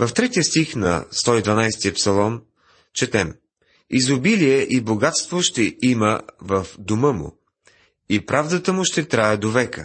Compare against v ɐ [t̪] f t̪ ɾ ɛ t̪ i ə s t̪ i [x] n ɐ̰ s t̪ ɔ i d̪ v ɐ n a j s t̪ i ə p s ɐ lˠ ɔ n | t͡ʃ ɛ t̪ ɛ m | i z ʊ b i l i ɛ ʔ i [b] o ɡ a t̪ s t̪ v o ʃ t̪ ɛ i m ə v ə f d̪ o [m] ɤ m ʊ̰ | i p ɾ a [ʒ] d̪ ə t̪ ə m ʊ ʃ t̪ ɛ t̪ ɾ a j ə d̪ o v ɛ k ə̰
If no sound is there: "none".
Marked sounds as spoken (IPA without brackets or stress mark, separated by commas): none, x, b, m, v